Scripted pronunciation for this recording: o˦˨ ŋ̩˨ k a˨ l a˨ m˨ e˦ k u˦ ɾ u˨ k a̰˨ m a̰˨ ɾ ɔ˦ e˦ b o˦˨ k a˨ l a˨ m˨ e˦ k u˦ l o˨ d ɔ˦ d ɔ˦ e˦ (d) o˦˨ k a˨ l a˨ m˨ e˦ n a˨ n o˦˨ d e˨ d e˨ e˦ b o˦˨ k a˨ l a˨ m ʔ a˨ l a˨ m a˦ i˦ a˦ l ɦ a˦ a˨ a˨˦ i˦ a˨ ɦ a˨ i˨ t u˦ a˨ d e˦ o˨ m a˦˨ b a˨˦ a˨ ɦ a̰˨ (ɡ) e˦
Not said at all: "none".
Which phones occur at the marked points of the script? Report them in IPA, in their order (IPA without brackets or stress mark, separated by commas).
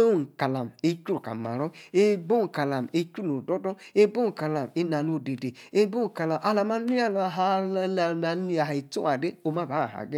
b, ɡ